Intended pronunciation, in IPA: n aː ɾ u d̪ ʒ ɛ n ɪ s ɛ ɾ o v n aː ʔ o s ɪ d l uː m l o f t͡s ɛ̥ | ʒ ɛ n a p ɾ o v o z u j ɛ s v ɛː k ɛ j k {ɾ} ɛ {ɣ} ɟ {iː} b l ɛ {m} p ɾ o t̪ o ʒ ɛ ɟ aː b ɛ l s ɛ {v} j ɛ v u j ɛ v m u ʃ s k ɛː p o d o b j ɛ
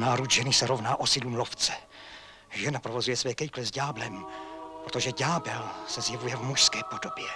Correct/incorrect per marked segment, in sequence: incorrect: l, incorrect: z, incorrect: aː, correct, incorrect: z

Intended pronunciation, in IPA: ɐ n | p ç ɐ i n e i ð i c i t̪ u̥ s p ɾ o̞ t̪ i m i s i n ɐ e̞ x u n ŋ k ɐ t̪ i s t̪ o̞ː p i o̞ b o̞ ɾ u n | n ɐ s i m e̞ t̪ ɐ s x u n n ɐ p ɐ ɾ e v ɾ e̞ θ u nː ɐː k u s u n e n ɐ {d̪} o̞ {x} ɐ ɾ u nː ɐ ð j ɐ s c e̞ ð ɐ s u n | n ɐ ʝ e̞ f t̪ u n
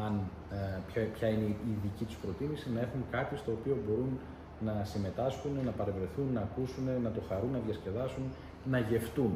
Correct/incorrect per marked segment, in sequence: incorrect: t̪, correct

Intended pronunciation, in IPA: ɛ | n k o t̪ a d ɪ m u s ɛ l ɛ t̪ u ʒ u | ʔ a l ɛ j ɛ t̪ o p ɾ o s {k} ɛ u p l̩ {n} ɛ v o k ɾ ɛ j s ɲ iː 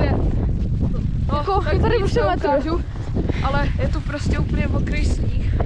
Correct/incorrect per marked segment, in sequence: incorrect: c, incorrect: ɲ

